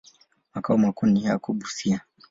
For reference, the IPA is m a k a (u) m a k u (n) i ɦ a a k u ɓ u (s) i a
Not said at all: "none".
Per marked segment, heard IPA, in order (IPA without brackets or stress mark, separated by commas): u, n, s